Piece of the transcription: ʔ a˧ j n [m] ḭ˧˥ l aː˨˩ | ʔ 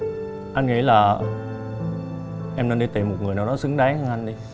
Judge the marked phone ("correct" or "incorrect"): incorrect